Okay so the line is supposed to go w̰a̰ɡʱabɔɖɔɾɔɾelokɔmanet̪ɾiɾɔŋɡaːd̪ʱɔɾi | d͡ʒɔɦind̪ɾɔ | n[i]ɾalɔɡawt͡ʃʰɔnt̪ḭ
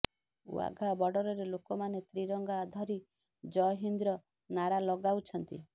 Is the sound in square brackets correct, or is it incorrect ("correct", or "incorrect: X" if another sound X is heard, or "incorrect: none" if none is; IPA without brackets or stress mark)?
incorrect: a